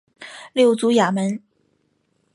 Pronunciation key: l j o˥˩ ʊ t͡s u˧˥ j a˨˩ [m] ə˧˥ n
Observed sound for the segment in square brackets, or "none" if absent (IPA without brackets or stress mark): m